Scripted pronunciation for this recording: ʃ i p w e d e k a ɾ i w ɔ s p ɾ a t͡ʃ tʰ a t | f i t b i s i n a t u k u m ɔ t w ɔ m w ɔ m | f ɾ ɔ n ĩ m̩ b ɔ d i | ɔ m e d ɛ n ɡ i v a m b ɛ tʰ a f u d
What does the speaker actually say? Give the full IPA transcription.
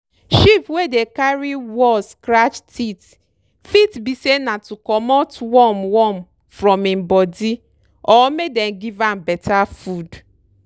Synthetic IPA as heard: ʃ i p w e d e k a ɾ i w ɔ s k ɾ a t͡ʃ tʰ i t | f i t b i s e n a t u k ɔ m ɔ t w ɔ m w ɔ m | f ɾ ɔ m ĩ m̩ b ɔ d i | ɔ m e d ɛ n ɡ i v a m b ɛ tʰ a f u d